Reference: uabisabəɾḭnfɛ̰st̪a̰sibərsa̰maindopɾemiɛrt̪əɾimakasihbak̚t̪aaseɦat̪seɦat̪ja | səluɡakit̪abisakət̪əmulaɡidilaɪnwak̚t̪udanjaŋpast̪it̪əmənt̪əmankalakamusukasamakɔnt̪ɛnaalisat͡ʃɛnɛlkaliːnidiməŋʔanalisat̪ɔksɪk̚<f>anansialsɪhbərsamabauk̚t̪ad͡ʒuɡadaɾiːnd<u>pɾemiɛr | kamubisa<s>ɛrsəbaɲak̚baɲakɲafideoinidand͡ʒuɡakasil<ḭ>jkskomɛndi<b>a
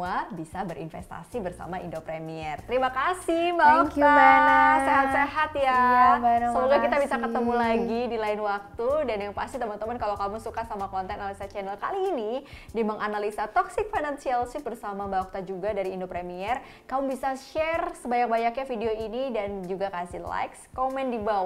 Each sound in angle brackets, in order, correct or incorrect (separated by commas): correct, incorrect, incorrect, incorrect, correct